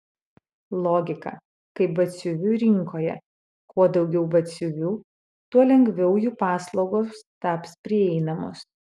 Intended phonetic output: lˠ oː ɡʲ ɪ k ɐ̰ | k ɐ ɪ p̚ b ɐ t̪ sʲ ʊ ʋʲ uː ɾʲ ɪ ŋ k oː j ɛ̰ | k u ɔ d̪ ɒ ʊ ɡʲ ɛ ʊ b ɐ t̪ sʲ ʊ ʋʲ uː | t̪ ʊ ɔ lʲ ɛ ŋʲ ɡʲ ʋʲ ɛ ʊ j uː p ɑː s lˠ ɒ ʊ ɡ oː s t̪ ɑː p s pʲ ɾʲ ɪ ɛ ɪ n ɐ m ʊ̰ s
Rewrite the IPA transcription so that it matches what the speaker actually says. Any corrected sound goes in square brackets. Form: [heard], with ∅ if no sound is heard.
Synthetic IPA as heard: lˠ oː ɡʲ ɪ k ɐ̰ | k ɐ ɪ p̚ b ɐ t̪ sʲ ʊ ʋʲ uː ɾʲ ɪ ŋ k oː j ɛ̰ | k u ɔ d̪ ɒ ʊ ɡʲ ɛ ʊ b ɐ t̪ sʲ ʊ ʋʲ uː | t̪ [u] ɔ lʲ ɛ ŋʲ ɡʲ ʋʲ ɛ ʊ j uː p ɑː s lˠ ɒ ʊ ɡ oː s t̪ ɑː p s pʲ ɾʲ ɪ ɛ ɪ n ɐ m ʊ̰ s